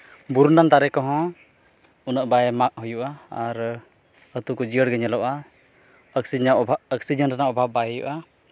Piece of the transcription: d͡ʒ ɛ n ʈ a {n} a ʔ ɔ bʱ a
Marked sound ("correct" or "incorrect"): correct